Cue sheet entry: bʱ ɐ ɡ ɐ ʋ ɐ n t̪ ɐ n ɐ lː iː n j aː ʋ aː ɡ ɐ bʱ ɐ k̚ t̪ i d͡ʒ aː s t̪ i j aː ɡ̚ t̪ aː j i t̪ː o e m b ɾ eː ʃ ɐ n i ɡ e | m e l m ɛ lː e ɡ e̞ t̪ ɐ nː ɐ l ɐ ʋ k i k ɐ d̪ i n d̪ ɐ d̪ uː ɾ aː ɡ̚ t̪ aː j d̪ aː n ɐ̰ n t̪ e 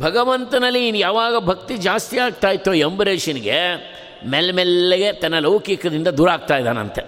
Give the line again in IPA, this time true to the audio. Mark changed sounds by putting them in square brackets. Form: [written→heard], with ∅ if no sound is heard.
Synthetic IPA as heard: bʱ ɐ ɡ ɐ ʋ ɐ n t̪ ɐ n ɐ lː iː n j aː ʋ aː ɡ ɐ bʱ ɐ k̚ t̪ i d͡ʒ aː s t̪ i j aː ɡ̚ t̪ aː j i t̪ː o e m b ɾ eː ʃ ɐ n i ɡ e | m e l m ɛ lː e ɡ e̞ t̪ ɐ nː ɐ l ɐ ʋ k i k ɐ d̪ i n d̪ ɐ d̪ uː ɾ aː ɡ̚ t̪ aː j d̪ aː n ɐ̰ n t̪ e